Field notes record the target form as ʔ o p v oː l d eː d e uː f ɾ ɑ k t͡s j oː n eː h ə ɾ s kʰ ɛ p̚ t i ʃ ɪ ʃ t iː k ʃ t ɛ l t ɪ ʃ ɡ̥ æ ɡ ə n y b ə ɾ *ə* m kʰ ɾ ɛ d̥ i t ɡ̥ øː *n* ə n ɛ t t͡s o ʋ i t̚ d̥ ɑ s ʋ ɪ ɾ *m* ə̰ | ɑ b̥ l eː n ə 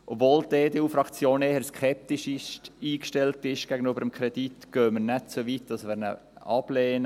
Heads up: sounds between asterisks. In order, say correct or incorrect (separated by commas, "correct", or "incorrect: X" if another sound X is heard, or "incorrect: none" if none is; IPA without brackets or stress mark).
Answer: correct, incorrect: m, incorrect: n